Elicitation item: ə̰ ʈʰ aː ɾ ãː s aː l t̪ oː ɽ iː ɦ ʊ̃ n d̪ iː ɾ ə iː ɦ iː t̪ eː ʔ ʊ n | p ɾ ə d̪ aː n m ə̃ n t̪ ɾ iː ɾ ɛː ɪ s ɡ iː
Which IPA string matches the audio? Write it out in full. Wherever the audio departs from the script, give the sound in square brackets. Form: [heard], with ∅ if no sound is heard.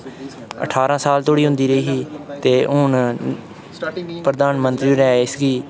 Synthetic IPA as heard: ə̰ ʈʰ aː ɾ ãː s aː l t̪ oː ɽ iː ɦ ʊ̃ n d̪ iː ɾ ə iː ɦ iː t̪ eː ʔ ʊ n | p ɾ ə d̪ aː n m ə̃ n t̪ ɾ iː ɾ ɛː ɪ s ɡ iː